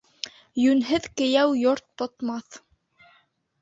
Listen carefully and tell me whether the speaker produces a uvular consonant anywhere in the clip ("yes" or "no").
no